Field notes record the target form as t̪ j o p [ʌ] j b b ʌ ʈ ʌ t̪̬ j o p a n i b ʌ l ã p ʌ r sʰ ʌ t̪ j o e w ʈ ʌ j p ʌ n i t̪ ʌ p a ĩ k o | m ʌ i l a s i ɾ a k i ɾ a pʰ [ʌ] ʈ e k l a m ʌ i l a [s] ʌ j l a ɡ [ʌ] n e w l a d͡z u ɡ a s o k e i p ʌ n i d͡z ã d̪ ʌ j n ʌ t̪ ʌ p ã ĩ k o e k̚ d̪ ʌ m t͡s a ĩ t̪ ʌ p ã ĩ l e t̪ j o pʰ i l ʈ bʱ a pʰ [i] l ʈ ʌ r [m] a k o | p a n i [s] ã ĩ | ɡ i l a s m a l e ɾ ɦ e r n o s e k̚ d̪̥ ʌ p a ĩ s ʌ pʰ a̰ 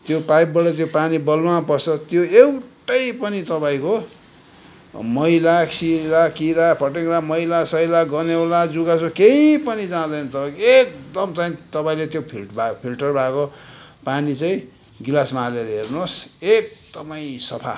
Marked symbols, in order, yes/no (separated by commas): no, yes, yes, yes, yes, no, no